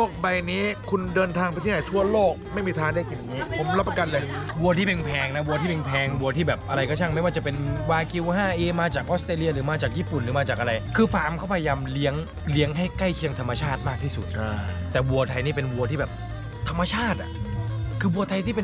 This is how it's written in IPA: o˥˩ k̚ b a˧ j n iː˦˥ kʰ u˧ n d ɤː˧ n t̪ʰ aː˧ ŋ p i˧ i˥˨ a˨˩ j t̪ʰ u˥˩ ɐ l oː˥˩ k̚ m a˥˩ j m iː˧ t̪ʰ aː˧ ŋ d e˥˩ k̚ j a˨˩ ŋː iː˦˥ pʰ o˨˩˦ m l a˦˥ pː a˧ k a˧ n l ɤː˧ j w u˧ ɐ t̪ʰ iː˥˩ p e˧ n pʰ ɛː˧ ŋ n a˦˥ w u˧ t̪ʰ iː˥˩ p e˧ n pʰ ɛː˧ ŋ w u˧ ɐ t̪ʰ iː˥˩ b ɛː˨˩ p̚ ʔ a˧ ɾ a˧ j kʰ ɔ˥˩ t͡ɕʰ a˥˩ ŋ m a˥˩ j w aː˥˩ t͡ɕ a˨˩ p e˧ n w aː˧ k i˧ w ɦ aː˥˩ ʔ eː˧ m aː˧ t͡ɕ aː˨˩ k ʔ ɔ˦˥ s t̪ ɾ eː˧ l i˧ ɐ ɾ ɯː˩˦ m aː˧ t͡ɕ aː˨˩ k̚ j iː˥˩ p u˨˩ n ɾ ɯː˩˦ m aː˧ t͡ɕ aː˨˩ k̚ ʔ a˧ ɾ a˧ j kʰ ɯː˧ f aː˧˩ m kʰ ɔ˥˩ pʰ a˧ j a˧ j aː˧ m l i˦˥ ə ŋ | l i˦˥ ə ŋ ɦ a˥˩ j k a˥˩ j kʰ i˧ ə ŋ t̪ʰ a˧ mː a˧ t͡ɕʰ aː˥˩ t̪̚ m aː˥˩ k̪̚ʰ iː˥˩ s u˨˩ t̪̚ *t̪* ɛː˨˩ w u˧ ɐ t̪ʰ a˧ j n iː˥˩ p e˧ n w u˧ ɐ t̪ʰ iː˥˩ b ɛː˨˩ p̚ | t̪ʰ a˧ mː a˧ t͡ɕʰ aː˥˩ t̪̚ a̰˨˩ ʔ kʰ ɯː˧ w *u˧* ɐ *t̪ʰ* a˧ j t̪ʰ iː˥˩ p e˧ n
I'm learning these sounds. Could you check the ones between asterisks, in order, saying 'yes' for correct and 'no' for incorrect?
yes, yes, yes

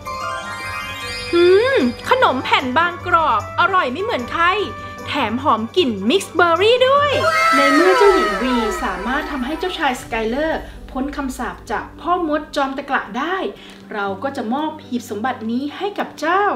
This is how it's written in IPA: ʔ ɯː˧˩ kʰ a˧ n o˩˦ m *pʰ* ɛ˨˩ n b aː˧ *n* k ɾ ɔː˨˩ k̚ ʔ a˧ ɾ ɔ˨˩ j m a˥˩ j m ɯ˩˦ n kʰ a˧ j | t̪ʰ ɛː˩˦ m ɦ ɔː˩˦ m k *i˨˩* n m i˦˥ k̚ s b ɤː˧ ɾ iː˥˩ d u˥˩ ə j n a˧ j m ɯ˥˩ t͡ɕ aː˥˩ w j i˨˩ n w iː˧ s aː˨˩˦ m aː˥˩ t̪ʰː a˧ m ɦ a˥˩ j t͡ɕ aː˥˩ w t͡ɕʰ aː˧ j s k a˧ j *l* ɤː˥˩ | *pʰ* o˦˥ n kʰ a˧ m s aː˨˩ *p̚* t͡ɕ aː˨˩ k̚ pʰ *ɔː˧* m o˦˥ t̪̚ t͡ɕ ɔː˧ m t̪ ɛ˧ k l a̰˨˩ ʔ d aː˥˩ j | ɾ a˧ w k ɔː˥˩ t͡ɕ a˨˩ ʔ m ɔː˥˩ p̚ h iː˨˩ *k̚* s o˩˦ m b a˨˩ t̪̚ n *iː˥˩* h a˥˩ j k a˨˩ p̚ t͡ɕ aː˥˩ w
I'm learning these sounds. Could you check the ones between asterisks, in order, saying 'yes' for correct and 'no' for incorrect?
yes, no, yes, yes, yes, yes, no, no, no

